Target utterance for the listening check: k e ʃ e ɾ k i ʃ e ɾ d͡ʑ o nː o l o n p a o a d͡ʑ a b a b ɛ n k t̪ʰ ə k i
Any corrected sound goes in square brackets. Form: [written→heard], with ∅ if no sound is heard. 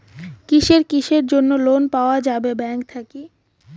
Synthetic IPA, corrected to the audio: k [e→i] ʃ e ɾ k i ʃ e ɾ d͡ʑ o nː o l o n p a o a d͡ʑ a b [a→e] b ɛ [n→ŋ] k t̪ʰ [ə→a] k i